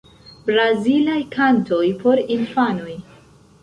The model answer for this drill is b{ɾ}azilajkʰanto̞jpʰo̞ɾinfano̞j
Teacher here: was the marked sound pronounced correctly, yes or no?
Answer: yes